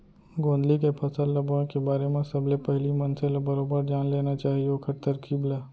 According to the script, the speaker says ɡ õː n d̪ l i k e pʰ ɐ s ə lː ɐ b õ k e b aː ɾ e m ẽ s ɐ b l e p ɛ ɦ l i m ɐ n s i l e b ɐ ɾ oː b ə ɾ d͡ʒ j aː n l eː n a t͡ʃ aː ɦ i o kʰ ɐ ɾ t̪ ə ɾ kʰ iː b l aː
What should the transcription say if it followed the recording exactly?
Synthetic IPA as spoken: ɡ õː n d̪ l i k e pʰ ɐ s ə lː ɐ b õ k e b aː ɾ e m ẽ s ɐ b l e p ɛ ɦ l i m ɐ n s e l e b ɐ ɾ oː b ə ɾ d͡ʒ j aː n l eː n a t͡ʃ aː ɦ i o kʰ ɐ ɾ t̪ ə ɾ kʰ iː b l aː